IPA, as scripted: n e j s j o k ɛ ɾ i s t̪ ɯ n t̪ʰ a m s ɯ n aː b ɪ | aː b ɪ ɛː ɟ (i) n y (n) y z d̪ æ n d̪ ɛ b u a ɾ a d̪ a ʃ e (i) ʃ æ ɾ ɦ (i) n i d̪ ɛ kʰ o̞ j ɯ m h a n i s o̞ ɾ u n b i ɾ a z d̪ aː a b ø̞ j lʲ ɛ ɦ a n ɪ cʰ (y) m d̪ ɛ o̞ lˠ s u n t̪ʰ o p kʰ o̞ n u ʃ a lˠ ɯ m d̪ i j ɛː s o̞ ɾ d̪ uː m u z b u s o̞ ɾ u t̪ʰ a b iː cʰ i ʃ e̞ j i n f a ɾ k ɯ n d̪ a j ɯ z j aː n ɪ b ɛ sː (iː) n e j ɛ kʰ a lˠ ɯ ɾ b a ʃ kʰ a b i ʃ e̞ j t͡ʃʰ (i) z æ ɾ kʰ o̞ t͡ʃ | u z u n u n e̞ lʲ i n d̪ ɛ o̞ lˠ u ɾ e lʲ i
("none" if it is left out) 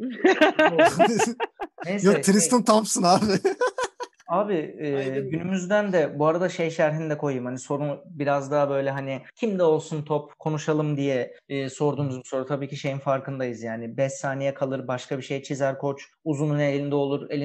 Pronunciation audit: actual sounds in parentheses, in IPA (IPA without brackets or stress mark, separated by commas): y, m, j, i, i, aː, i